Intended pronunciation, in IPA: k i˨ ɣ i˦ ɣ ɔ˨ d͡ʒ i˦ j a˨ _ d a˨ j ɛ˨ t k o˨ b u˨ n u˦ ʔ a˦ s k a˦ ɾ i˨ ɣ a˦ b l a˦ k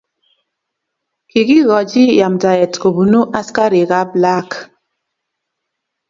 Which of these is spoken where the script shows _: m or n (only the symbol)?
m